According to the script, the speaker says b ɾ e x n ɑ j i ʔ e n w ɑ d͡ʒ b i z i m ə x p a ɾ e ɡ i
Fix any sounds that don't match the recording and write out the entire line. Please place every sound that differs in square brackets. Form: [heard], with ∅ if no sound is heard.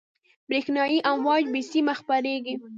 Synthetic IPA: b ɾ e x n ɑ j i ʔ [a] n w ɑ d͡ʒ b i [s] i m [a] x p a ɾ e ɡ i